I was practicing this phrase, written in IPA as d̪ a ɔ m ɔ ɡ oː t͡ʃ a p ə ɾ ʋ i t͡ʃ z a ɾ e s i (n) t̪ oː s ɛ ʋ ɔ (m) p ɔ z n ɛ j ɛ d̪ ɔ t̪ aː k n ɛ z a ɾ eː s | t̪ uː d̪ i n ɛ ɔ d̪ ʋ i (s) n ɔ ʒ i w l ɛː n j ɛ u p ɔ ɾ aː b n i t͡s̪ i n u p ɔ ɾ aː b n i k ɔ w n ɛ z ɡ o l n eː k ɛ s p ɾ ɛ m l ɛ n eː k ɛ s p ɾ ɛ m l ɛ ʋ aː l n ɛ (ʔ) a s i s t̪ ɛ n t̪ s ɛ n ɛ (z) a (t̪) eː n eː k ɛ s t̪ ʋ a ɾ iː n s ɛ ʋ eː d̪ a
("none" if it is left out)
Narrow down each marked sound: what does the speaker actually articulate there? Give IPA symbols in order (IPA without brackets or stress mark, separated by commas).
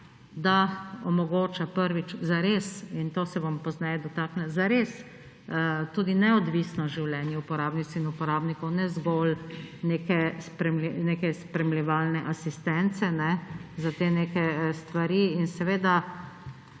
n, m, s, ʔ, z, t̪